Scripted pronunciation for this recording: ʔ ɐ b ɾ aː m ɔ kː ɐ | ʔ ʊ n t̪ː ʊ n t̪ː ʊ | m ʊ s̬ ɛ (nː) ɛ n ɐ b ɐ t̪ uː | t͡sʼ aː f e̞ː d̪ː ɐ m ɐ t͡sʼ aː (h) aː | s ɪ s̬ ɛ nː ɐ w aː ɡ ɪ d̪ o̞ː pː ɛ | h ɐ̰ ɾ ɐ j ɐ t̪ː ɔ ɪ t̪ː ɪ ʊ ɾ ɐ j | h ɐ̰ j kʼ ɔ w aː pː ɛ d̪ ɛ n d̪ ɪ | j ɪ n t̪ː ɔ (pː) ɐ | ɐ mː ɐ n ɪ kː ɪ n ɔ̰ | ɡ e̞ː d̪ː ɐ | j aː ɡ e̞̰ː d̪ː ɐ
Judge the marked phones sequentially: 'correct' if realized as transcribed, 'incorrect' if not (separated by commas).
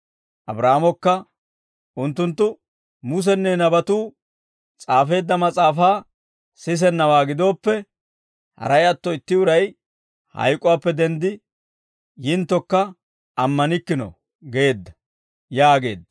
correct, incorrect, incorrect